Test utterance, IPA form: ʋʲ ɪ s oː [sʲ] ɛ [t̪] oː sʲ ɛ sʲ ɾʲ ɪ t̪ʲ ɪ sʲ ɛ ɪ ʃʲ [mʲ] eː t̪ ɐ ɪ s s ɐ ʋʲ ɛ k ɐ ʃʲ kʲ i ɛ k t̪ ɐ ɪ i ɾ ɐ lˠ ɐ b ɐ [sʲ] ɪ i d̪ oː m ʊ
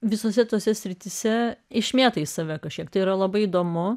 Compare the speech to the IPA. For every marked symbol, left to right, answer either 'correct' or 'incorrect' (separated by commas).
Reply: correct, correct, correct, incorrect